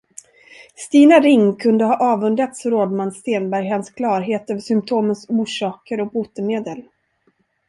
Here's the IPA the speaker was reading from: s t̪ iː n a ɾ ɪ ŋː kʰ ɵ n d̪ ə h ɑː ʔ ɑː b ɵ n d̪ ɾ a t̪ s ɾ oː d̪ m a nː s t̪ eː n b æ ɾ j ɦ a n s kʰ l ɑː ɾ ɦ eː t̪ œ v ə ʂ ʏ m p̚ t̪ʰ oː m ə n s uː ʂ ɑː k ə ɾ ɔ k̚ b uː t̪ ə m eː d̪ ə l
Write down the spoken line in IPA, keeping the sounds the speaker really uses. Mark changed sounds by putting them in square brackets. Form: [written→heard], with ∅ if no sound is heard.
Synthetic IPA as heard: s t̪ iː n a ɾ ɪ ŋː kʰ ɵ n d̪ ə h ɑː ʔ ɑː [b→v] ɵ n d̪ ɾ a t̪ s ɾ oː d̪ m a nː s t̪ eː n b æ ɾ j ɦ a n s kʰ l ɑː ɾ ɦ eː t̪ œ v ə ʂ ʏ m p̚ t̪ʰ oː m ə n s uː ʂ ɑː k ə ɾ ɔ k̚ b uː t̪ ə m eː d̪ ə l